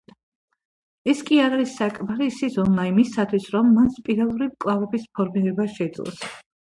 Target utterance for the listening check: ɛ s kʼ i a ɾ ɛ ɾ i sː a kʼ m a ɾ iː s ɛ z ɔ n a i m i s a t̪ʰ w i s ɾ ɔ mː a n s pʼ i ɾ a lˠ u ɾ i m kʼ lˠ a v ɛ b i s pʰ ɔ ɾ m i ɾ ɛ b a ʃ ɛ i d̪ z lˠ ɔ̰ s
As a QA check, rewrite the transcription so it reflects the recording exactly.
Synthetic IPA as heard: ɛ s kʼ i a ɾ a ɾ i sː a kʼ m a ɾ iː s i z ɔ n a i m i s a t̪ʰ w i s ɾ ɔ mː a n s pʼ i ɾ a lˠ u ɾ i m kʼ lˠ a v ɛ b i s pʰ ɔ ɾ m i ɾ ɛ b a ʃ ɛ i d̪ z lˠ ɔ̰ s